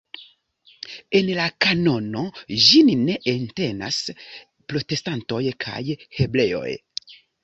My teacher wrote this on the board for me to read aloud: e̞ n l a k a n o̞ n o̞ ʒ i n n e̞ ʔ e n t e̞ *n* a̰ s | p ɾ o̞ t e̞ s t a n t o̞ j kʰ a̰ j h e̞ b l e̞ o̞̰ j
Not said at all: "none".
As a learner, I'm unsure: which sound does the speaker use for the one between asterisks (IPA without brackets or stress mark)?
n